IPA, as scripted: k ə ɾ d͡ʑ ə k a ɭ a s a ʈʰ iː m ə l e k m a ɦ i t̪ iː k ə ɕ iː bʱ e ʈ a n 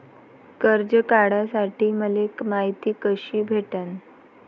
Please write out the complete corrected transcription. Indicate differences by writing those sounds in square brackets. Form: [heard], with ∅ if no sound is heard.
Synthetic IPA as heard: k ə ɾ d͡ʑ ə k a [ɽ] a s a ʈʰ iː m ə l e k m a ɦ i t̪ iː k ə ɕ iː bʱ e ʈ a n